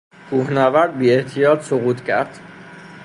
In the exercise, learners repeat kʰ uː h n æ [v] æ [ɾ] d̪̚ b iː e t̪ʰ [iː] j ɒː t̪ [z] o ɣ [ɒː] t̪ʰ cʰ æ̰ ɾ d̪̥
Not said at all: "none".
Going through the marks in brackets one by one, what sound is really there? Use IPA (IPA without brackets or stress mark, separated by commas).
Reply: v, ɾ, i, s, uː